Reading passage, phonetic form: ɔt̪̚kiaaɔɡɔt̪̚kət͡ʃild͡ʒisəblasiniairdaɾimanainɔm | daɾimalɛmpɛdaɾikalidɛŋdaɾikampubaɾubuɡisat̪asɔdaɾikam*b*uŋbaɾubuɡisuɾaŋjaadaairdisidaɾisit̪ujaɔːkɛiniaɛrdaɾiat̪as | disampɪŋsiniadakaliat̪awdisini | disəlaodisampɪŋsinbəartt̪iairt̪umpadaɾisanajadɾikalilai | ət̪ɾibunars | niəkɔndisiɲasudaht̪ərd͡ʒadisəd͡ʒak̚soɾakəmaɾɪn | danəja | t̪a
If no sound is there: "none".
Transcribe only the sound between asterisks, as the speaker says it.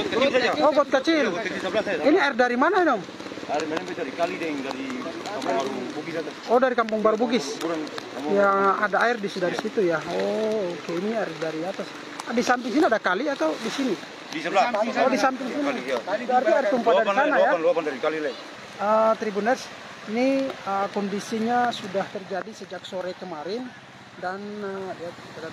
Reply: p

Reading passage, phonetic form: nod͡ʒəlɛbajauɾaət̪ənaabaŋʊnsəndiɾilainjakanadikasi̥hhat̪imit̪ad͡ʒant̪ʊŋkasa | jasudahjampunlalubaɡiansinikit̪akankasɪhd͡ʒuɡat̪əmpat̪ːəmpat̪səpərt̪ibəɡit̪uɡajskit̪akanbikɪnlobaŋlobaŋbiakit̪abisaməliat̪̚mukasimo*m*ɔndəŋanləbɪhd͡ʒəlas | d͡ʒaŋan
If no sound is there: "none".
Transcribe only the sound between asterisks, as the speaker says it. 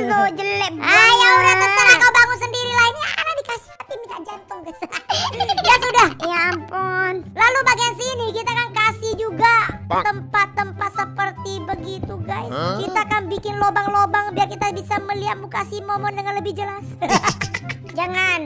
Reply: m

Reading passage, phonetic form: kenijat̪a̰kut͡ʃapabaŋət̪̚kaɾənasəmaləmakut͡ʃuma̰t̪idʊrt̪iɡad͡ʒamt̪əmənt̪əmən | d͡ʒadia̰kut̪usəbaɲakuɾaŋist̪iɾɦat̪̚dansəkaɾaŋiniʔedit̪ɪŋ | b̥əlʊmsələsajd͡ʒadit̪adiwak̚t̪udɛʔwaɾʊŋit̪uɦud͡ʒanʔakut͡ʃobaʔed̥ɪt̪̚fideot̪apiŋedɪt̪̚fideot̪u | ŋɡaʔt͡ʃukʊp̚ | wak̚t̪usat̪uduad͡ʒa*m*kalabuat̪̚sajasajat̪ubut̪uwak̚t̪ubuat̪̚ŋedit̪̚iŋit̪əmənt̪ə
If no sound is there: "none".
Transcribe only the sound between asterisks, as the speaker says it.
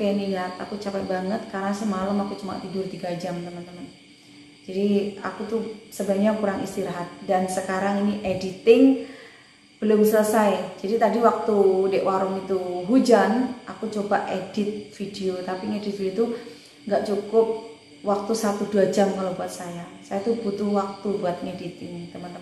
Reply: m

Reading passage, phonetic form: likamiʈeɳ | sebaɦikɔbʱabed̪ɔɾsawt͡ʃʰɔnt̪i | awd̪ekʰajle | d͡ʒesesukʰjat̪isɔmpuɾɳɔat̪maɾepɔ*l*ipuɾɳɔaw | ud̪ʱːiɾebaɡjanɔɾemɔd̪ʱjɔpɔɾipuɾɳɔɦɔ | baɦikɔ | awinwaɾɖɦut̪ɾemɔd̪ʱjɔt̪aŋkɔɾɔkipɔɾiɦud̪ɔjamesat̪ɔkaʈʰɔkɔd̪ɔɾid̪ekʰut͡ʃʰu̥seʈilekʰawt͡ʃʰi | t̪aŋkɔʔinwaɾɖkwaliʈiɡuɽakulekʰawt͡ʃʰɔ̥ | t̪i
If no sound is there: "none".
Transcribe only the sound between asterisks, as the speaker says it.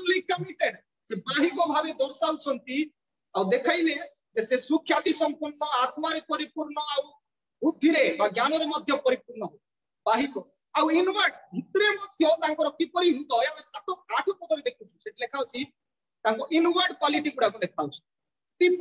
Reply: ɾ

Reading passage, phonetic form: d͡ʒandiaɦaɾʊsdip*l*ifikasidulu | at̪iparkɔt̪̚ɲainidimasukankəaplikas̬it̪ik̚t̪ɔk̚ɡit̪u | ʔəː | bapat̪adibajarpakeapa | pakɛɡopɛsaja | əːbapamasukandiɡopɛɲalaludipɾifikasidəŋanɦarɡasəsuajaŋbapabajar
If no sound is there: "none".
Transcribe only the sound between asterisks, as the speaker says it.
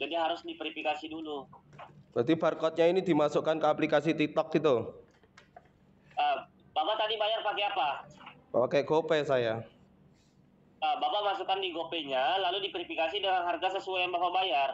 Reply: ɾ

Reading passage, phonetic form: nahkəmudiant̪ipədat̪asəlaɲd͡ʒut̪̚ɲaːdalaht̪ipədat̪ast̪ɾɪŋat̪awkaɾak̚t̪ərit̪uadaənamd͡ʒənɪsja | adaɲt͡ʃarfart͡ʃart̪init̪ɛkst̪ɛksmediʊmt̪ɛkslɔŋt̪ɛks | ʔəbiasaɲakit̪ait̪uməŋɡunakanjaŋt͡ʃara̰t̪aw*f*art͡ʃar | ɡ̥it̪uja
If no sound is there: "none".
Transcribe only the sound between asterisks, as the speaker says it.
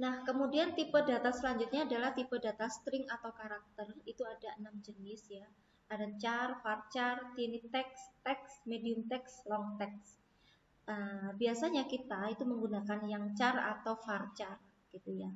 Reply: f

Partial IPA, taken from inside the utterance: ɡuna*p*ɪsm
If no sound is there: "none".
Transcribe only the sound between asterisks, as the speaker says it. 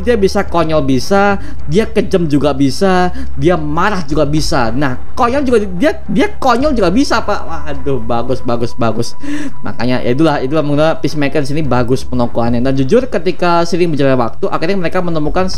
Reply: p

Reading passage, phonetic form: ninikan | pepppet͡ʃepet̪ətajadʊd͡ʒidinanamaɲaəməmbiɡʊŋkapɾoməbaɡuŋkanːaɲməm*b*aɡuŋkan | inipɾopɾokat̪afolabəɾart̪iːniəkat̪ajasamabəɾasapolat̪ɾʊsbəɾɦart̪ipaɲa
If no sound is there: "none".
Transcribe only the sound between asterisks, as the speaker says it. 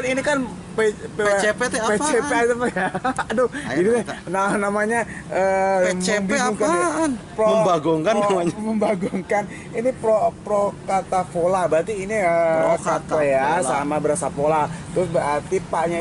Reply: b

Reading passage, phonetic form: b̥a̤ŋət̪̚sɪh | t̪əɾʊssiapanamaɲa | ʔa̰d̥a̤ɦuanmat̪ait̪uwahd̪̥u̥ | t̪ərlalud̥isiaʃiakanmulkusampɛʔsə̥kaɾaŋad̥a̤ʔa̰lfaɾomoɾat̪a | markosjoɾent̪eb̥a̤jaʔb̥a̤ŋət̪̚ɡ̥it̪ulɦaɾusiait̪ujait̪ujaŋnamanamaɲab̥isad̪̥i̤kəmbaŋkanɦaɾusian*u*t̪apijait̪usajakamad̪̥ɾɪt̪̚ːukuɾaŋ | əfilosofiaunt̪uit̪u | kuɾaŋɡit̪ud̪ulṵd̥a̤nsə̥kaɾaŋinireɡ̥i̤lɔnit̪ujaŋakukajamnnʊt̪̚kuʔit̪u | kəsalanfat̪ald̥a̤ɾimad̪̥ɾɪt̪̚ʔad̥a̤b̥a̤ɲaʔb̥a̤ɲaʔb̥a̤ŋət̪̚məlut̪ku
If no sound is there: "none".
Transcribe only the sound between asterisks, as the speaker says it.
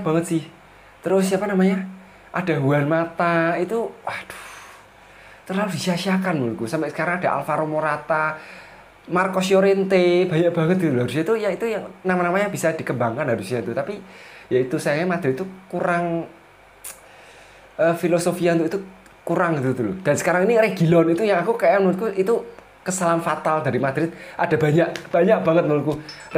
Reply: u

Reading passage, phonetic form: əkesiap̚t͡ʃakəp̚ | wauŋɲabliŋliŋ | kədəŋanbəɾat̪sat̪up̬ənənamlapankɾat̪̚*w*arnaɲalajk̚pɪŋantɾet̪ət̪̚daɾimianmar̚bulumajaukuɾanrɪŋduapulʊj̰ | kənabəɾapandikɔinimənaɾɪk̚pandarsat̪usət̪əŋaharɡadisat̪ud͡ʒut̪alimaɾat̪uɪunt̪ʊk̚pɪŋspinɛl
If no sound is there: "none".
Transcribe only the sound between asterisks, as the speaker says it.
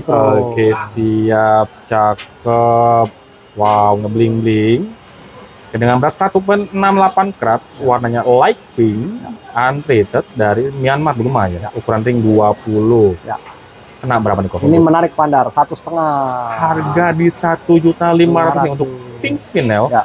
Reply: w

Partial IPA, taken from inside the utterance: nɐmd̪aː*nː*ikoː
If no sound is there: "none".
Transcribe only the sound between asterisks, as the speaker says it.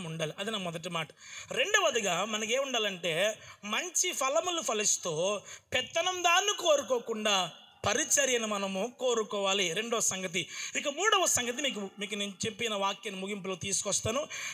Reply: nː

